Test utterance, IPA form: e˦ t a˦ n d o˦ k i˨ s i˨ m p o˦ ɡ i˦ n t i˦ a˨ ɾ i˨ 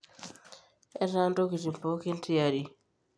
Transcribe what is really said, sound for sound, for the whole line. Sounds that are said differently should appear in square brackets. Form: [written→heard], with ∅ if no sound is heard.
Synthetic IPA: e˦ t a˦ n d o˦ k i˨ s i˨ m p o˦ [ɡ→k] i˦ n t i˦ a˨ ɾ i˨